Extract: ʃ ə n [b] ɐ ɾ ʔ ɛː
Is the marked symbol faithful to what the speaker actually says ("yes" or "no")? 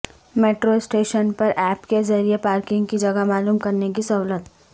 no